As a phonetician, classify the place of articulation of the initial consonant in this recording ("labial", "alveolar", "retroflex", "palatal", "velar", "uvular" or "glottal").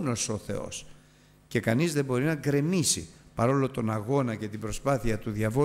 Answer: alveolar